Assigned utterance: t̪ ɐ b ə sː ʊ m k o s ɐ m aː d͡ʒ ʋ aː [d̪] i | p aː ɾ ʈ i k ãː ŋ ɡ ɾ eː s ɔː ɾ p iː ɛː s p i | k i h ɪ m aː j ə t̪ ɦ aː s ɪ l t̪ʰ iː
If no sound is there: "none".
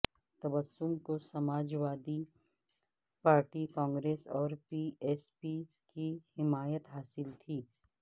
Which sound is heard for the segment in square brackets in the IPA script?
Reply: d̪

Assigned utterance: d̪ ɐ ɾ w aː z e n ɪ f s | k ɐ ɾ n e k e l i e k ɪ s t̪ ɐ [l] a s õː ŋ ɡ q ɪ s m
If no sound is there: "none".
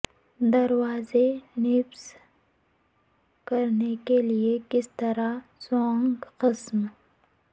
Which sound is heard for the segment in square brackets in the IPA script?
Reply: ɾ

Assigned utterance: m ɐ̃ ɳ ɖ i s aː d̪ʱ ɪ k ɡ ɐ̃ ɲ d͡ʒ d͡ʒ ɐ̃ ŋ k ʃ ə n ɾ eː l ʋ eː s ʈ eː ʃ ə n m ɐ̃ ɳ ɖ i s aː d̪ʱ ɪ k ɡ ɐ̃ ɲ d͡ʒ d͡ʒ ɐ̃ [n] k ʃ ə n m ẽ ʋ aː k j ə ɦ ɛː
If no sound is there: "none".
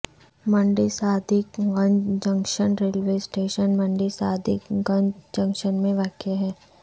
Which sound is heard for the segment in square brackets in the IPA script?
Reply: ŋ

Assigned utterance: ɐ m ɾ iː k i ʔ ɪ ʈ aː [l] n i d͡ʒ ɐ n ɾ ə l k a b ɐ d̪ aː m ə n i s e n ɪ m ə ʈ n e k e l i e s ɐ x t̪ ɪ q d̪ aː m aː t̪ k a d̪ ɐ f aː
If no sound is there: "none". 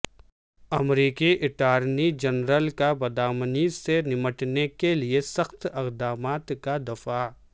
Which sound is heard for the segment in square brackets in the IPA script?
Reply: ɾ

